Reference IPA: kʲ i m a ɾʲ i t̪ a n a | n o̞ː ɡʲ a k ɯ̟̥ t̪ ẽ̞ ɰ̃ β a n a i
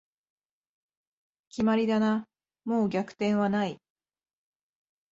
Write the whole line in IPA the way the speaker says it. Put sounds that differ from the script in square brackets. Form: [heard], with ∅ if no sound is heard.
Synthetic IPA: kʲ i m a ɾʲ i [d̪] a n a | [m] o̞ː ɡʲ a k ɯ̟̥ t̪ ẽ̞ ɰ̃ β a n a i